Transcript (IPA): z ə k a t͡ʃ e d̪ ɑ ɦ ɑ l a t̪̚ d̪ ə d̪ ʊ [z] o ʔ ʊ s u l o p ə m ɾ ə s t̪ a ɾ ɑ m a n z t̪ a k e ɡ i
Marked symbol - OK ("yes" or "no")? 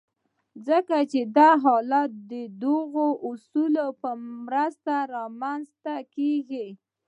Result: no